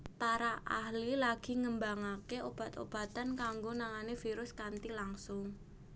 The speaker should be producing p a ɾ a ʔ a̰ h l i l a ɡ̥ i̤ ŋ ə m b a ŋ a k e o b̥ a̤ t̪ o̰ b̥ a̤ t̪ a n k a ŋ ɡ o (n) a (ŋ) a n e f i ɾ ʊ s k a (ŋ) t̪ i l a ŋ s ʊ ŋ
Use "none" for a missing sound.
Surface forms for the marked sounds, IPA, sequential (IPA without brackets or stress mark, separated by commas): n, ŋ, n